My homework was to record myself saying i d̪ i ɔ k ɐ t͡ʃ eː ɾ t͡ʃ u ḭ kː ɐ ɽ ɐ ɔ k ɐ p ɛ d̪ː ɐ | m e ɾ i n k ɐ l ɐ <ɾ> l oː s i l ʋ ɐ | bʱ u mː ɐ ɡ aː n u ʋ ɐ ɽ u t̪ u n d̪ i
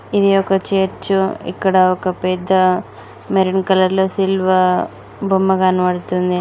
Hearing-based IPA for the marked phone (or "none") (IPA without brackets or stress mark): ɾ